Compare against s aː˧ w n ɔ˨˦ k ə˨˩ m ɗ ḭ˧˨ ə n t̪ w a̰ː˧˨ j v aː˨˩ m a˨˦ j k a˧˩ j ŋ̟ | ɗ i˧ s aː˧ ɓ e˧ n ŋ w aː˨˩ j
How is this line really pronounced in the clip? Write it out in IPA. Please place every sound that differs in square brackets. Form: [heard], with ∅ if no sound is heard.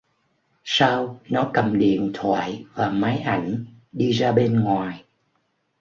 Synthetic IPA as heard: s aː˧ w n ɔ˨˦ k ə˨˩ m ɗ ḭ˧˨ ə n [t̪ʰ] w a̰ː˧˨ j v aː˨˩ m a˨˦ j [ʔ] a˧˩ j ŋ̟ | ɗ i˧ [z] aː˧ ɓ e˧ n ŋ w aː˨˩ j